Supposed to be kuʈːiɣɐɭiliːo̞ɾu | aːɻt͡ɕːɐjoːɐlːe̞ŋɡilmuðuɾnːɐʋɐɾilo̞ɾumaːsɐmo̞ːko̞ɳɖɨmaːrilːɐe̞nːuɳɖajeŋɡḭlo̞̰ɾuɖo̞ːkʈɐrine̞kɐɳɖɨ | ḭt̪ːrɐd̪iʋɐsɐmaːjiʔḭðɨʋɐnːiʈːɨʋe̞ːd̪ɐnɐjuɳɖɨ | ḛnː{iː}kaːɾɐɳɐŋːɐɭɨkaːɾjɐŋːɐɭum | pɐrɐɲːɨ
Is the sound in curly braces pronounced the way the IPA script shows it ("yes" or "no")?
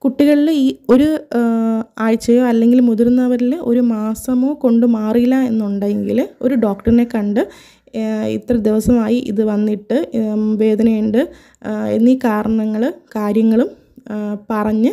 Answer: yes